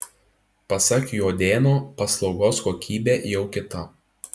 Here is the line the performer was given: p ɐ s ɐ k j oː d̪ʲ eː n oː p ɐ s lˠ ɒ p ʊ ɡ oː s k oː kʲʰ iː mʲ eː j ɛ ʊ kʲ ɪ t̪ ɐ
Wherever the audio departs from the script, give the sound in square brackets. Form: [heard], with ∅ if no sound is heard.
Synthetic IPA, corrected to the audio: p ɐ s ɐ k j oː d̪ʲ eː n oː p ɐ s lˠ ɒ [∅] ʊ ɡ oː s k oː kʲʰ iː [bʲ] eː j ɛ ʊ kʲ ɪ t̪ ɐ